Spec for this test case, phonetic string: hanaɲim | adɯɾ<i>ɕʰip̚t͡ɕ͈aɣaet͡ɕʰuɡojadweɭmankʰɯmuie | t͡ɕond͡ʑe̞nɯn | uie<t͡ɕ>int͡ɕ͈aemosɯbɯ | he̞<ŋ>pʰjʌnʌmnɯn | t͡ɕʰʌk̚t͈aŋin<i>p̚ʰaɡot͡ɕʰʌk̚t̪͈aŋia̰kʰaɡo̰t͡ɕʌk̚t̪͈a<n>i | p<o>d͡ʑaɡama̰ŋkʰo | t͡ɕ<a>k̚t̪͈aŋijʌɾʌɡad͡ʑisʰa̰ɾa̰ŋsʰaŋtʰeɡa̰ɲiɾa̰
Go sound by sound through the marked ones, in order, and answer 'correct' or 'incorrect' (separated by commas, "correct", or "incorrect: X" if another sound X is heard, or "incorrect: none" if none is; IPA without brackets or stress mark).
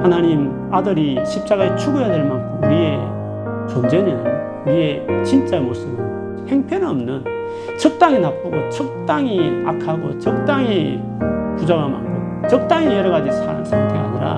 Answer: correct, correct, correct, incorrect: a, incorrect: ŋ, incorrect: u, incorrect: ʌ